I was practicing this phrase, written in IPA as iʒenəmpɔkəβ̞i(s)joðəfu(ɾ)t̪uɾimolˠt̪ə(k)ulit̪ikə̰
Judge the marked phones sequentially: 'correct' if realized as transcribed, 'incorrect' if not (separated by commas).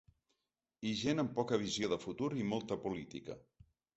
incorrect, incorrect, incorrect